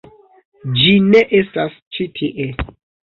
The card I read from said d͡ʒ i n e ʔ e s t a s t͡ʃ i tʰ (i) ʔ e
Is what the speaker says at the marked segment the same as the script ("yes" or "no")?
yes